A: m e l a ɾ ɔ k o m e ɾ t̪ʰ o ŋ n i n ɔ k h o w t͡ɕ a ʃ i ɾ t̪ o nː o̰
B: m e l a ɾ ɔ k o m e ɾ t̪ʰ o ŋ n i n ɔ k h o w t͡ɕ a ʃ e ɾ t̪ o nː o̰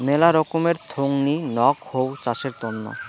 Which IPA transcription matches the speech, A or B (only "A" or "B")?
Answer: B